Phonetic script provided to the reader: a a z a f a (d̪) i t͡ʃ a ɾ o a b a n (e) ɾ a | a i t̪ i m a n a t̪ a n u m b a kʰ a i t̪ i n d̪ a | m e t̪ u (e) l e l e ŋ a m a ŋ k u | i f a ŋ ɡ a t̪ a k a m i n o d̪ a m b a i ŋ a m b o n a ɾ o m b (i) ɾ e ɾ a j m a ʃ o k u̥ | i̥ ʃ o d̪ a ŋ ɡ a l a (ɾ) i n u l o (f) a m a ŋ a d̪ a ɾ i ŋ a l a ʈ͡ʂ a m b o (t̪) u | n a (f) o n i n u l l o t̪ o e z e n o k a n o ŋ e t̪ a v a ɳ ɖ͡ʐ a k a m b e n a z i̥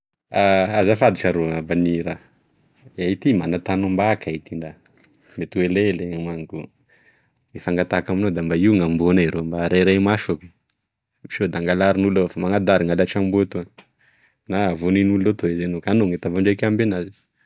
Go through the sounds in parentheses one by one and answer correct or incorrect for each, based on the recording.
correct, incorrect, correct, incorrect, correct, correct, correct, incorrect

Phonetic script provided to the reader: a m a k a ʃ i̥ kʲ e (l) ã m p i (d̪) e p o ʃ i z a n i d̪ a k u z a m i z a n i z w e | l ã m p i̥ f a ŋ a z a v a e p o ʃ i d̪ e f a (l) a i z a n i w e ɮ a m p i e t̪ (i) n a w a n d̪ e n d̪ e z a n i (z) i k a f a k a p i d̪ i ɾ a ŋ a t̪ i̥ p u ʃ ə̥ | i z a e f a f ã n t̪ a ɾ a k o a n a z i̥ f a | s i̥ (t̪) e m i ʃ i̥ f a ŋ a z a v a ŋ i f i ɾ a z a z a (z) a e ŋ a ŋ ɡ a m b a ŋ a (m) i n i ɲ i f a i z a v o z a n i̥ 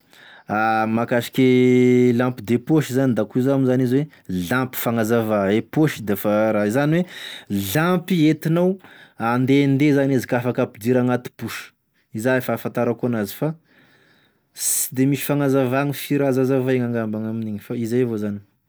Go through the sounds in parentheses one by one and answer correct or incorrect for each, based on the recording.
correct, correct, incorrect, correct, correct, incorrect, incorrect, correct

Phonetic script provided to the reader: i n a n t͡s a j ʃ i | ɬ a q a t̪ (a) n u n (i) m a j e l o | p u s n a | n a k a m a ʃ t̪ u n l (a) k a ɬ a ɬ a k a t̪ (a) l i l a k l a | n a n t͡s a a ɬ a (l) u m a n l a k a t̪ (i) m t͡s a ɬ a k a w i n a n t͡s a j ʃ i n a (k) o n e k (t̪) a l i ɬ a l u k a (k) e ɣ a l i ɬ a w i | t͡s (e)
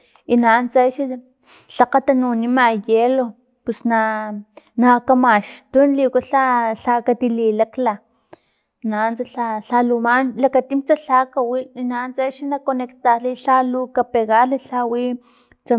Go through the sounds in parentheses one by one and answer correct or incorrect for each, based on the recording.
correct, correct, incorrect, incorrect, correct, correct, correct, correct, incorrect, incorrect

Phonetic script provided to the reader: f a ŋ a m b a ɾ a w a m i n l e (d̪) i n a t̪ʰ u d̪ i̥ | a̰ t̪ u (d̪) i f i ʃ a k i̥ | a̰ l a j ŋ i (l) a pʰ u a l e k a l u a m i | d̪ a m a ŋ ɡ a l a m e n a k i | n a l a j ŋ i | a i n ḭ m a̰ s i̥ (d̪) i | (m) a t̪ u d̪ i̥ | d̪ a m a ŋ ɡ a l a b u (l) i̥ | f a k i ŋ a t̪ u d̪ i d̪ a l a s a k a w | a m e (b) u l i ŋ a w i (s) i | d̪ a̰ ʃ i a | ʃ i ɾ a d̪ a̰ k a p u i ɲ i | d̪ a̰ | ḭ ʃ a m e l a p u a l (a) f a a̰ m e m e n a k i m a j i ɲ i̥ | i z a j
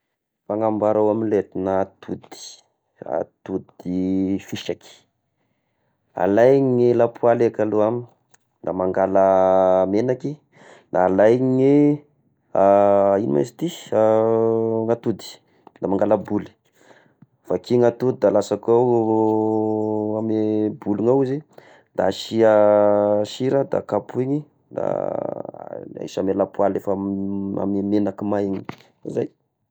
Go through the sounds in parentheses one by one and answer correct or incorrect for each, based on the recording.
incorrect, correct, correct, incorrect, incorrect, correct, correct, incorrect, incorrect

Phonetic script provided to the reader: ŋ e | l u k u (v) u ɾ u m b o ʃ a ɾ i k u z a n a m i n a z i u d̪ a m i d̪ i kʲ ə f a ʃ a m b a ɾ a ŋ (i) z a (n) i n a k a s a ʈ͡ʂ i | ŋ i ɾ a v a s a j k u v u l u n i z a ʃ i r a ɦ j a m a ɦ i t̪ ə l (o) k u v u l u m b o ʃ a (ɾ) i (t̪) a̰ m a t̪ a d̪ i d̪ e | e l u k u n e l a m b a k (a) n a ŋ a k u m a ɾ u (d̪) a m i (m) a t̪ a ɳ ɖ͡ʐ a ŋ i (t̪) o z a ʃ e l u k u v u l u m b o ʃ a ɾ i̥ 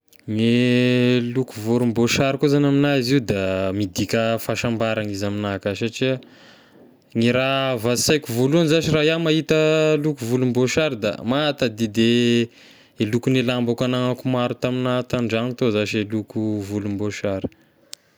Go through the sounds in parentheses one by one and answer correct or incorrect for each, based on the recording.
correct, correct, incorrect, incorrect, correct, incorrect, correct, incorrect, incorrect, correct

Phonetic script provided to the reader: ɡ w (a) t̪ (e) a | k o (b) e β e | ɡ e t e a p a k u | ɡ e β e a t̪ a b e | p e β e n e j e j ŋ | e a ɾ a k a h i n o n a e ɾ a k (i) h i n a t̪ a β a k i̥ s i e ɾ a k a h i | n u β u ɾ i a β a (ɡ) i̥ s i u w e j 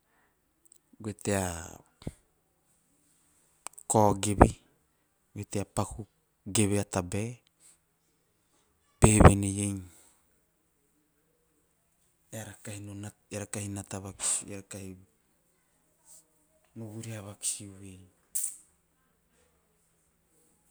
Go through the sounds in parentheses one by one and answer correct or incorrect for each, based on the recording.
incorrect, correct, incorrect, incorrect, incorrect

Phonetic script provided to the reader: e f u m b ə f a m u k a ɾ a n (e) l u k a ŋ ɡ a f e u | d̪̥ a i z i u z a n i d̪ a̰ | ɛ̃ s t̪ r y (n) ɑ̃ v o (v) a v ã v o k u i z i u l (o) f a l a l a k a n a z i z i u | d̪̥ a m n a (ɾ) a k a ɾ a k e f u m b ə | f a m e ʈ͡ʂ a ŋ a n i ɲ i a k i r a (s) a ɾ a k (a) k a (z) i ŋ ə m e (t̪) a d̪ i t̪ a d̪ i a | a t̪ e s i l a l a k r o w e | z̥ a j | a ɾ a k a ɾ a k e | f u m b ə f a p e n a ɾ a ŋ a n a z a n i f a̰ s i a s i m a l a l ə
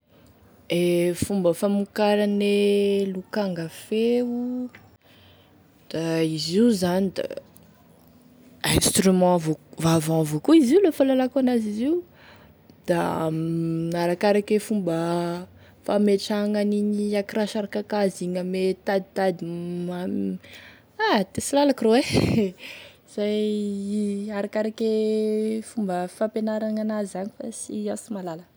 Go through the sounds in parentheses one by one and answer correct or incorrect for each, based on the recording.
correct, incorrect, correct, correct, correct, incorrect, correct, correct, correct

